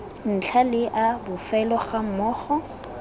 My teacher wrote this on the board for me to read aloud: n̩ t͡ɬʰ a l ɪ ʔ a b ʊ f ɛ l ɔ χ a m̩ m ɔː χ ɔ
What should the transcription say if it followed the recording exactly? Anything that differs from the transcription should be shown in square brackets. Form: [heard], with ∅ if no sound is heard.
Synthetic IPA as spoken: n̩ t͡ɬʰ a l ɪ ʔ a b ʊ f ɛ l ɔ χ a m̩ m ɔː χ ɔ